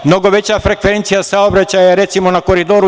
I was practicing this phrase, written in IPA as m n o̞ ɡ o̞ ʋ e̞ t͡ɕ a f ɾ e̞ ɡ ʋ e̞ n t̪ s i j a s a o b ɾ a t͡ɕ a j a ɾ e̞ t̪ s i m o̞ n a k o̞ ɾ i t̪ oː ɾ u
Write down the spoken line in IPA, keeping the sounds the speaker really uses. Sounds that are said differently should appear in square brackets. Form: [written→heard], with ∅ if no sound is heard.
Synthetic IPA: m n o̞ ɡ o̞ ʋ e̞ t͡ɕ a f ɾ e̞ [ɡ→k] ʋ e̞ n t̪ s i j a s a o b ɾ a t͡ɕ a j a ɾ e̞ t̪ s i m o̞ n a k o̞ ɾ i [t̪→d̪] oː ɾ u